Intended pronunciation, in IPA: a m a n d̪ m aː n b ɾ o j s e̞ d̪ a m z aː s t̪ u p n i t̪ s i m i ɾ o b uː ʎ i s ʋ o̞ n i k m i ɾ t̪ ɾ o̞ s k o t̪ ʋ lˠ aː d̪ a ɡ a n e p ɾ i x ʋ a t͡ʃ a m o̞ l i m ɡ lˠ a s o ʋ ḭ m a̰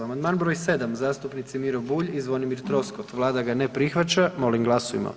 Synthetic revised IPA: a m a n d̪ m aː n b ɾ o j s e̞ d̪ a m z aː s t̪ u p n i t̪ s i m i ɾ o b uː ʎ i z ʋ o̞ n i m i ɾ t̪ ɾ o̞ s k o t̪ ʋ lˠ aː d̪ a ɡ a n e p ɾ i x ʋ a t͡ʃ a m o̞ l i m ɡ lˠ a s o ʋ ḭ m a̰